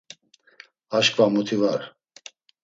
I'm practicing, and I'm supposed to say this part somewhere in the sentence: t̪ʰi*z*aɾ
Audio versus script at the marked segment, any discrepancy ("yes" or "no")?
yes